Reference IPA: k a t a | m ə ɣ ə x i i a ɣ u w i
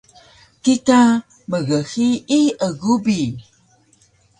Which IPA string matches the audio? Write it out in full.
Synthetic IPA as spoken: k i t a | m ə ɣ ə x i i ə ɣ u b i